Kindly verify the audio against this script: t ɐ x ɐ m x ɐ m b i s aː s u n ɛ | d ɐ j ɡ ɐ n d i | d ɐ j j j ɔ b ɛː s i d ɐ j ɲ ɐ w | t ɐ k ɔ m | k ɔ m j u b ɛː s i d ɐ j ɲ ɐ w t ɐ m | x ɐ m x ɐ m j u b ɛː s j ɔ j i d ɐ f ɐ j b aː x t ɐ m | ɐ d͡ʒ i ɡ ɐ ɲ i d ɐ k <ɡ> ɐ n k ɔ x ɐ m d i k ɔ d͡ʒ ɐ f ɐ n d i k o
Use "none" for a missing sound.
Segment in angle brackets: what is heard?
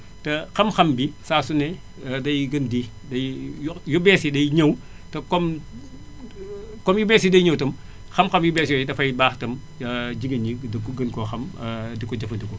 ɡ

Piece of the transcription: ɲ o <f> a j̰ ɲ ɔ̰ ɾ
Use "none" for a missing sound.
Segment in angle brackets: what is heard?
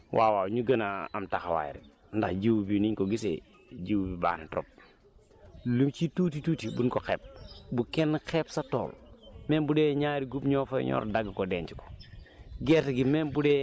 f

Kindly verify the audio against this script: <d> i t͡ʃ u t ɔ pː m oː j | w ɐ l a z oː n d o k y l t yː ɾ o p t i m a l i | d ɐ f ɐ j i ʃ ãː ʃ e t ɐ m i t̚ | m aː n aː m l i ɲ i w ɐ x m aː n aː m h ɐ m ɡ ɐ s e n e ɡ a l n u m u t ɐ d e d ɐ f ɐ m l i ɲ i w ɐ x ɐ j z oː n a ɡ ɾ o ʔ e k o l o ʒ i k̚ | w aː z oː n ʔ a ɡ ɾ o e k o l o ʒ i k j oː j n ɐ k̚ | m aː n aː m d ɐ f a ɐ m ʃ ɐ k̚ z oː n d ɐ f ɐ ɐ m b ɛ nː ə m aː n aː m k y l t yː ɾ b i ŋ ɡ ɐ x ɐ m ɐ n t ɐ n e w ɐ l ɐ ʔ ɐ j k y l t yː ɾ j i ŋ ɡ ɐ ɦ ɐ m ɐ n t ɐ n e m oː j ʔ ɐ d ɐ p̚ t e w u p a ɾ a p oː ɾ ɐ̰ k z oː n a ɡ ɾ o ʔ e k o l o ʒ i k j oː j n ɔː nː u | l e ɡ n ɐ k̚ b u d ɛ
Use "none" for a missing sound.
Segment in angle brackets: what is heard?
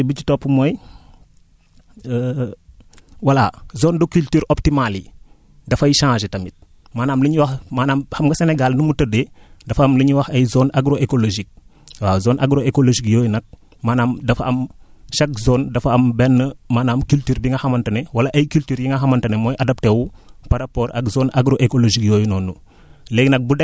b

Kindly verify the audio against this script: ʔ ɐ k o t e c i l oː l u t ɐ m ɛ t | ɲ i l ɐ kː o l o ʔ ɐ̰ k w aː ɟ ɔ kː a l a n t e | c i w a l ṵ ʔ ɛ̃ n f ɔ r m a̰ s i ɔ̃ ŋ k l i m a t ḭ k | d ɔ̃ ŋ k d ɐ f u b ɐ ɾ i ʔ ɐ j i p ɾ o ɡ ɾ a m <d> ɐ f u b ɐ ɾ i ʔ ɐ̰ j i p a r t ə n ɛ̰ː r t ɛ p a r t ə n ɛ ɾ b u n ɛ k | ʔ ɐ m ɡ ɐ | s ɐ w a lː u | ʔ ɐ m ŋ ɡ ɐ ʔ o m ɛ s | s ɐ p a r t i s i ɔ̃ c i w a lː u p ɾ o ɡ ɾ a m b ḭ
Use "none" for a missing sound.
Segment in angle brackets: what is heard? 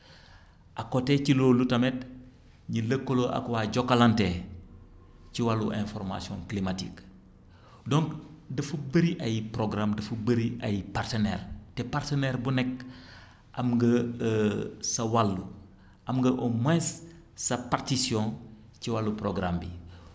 d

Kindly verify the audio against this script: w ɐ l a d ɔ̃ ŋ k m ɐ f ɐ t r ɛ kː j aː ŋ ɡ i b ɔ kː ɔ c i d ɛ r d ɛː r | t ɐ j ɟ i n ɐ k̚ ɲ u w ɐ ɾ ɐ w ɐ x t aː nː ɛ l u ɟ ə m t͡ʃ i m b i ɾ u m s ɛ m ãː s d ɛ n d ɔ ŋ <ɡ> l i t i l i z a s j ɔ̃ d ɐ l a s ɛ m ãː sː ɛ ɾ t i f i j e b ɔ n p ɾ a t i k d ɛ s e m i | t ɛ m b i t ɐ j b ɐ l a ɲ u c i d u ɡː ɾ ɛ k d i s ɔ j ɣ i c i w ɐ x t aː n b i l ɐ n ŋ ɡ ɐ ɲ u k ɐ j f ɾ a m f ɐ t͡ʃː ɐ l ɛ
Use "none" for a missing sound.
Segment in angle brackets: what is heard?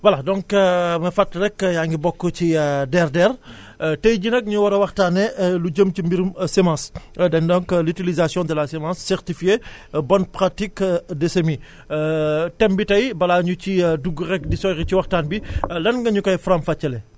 k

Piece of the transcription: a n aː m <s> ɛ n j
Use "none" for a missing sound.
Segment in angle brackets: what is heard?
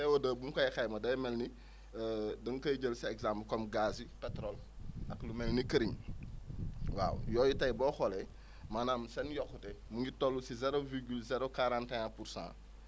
s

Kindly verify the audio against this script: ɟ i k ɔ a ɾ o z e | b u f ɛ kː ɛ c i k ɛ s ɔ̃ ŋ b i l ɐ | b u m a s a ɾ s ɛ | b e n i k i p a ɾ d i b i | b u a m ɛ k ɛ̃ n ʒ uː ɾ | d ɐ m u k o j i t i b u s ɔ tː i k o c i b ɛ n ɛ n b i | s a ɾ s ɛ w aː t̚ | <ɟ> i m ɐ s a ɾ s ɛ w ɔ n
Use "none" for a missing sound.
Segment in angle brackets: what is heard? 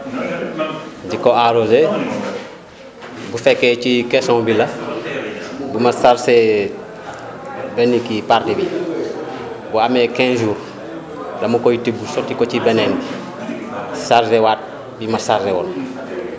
b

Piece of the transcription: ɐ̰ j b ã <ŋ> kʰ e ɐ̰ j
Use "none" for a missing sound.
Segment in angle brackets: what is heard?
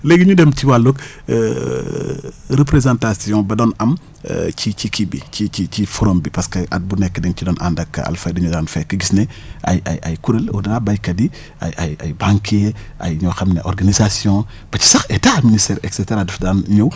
ŋ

